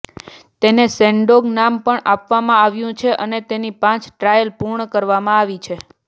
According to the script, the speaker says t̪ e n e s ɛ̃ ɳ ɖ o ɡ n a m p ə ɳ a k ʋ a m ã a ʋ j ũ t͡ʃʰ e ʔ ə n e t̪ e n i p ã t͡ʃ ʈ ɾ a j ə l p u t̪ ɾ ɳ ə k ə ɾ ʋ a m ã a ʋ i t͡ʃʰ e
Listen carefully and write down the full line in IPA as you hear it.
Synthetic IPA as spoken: t̪ e n e s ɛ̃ ɳ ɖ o ɡ n a m p ə ɳ a p ʋ a m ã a ʋ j ũ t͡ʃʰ e ʔ ə n e t̪ e n i p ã t͡ʃ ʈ ɾ a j ə l p u ɾ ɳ ə k ə ɾ ʋ a m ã a ʋ i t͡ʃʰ e